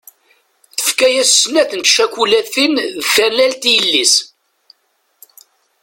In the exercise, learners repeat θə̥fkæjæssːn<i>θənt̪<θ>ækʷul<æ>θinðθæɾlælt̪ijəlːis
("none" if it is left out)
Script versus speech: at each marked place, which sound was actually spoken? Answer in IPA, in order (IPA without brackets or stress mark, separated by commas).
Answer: æ, ʃ, æ